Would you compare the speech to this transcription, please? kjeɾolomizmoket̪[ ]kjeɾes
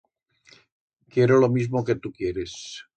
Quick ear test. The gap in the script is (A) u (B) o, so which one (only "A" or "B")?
A